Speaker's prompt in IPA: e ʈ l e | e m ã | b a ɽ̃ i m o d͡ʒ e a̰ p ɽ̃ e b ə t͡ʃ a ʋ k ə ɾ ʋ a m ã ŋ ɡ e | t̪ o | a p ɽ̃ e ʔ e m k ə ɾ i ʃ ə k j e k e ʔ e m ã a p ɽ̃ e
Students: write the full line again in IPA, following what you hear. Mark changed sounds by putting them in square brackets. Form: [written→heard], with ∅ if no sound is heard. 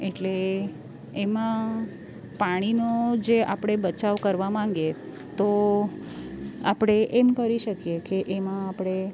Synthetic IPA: e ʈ l e | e m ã | [b→p] a ɽ̃ i [m→n] o d͡ʒ e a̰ p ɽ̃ e b ə t͡ʃ a ʋ k ə ɾ ʋ a m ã ŋ ɡ e | t̪ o | a p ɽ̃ e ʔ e m k ə ɾ i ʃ ə k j e k e ʔ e m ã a p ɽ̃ e

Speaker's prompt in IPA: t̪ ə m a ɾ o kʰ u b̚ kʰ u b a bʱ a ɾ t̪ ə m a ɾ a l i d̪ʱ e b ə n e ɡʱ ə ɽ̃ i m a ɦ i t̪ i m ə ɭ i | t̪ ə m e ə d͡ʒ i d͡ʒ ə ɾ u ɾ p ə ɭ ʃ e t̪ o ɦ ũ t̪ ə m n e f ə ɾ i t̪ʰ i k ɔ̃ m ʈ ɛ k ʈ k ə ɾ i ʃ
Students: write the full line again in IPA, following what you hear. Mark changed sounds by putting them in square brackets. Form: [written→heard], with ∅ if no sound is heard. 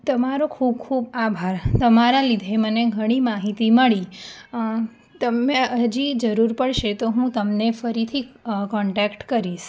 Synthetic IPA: t̪ ə m a ɾ o kʰ u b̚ kʰ u b a bʱ a ɾ t̪ ə m a ɾ a l i d̪ʱ e [b→m] ə n e ɡʱ ə ɽ̃ i m a ɦ i t̪ i m ə ɭ i | t̪ ə m e ə d͡ʒ i d͡ʒ ə ɾ u ɾ p ə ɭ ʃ e t̪ o ɦ ũ t̪ ə m n e f ə ɾ i t̪ʰ i k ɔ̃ [m→ɳ] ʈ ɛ k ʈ k ə ɾ i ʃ

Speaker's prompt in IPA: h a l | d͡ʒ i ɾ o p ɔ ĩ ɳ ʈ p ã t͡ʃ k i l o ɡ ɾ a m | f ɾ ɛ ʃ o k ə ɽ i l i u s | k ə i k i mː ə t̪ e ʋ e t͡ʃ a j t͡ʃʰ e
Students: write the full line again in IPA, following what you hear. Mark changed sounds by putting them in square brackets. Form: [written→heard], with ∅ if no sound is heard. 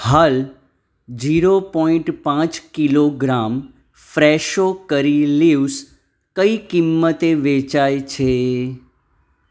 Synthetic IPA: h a l | d͡ʒ i ɾ o p ɔ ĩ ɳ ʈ p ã t͡ʃ k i l o ɡ ɾ a m | f ɾ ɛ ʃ o k ə [ɽ→ɾ] i l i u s | k ə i k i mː ə t̪ e ʋ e t͡ʃ a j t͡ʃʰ e

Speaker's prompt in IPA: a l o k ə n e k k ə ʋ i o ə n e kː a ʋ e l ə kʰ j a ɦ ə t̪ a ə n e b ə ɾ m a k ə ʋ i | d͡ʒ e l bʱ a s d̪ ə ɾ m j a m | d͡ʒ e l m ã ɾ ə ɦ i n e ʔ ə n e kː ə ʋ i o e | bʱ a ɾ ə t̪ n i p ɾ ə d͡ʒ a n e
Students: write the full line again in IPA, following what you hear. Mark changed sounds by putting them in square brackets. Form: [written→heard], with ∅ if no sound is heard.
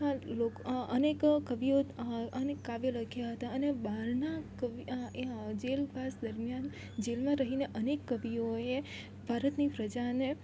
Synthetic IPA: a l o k ə n e k k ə ʋ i o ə n e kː a ʋ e l ə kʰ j a ɦ ə t̪ a ə n e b [ə→a] ɾ [m→n] a k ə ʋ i | d͡ʒ e l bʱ a s d̪ ə ɾ m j a [m→n] | d͡ʒ e l m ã ɾ ə ɦ i n e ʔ ə n e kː ə ʋ i o e | bʱ a ɾ ə t̪ n i p ɾ ə d͡ʒ a n e

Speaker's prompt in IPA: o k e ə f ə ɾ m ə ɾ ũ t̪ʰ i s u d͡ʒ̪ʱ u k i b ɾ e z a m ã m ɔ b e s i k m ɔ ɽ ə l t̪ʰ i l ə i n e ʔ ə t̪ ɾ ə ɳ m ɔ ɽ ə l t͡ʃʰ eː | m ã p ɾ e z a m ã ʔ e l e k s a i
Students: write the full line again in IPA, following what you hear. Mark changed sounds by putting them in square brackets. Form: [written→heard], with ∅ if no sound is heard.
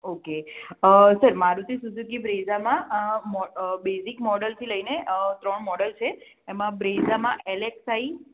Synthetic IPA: o k e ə [f→s] ə ɾ m [ə→a] ɾ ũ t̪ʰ i s u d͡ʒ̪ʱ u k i b ɾ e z a m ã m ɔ b e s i k m ɔ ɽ ə l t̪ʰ i l ə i n e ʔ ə t̪ ɾ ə ɳ m ɔ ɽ ə l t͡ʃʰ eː | m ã [p→b] ɾ e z a m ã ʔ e l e k s a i

